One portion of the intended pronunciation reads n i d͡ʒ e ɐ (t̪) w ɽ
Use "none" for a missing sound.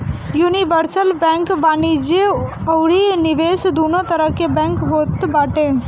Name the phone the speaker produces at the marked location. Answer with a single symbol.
none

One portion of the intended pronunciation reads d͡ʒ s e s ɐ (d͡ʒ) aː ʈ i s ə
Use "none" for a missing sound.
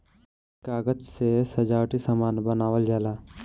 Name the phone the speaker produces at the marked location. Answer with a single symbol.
d͡ʒ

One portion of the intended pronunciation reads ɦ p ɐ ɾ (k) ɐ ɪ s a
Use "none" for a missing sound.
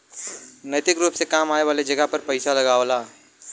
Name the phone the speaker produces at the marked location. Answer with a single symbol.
p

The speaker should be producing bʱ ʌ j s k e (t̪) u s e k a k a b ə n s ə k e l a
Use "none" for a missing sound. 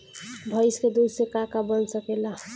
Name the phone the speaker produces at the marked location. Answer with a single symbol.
d̪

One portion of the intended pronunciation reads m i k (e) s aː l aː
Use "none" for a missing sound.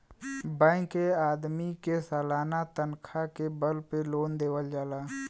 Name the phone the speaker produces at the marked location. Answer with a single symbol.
e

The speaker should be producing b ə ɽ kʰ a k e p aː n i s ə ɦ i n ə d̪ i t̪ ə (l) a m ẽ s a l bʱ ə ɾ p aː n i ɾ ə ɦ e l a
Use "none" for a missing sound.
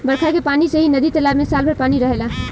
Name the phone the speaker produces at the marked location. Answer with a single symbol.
l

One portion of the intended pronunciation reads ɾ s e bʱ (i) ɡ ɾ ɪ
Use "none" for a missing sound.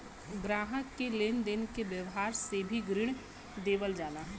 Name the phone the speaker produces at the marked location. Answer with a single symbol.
i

